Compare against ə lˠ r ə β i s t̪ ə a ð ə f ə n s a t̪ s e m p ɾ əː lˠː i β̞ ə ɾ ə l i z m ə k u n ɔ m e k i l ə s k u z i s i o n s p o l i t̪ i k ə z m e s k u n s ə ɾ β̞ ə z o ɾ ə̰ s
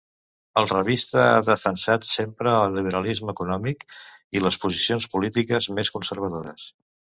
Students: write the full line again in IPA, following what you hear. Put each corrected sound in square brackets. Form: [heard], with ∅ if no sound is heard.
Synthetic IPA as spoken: ə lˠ r ə β i s t̪ ə a ð ə f ə n s a t̪ s e m p ɾ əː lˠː i β̞ ə ɾ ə l i z m ə k u n ɔ m [i] k i l ə s [p] u z i s i o n s p [u] l i t̪ i k ə z m e s k u n s ə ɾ β̞ ə [ð] o ɾ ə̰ s